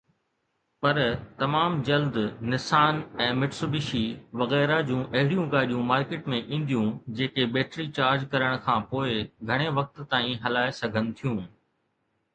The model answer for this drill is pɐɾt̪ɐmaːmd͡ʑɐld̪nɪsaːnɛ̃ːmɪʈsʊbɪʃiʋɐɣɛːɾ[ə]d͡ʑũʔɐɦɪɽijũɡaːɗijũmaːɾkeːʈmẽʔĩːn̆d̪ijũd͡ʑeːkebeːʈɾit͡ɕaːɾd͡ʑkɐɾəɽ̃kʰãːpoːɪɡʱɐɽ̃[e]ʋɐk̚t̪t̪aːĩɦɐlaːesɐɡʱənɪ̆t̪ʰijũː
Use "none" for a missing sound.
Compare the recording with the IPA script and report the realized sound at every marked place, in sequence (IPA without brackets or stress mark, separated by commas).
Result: a, e